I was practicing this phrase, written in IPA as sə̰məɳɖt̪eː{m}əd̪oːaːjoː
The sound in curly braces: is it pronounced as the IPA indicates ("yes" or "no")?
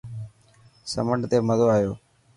yes